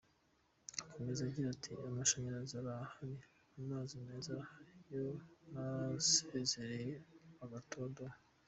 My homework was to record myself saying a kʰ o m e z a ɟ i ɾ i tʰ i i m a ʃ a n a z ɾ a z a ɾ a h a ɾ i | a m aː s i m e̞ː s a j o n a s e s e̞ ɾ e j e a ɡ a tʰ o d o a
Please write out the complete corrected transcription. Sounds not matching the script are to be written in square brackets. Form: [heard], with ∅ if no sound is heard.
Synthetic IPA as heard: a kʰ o m e z a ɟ i ɾ [a] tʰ i [a] m a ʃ a [ɲ] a [∅] ɾ a z a ɾ a h a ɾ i | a m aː [z] i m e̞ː [z] a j o n a s e [z] e̞ ɾ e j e a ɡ a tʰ o d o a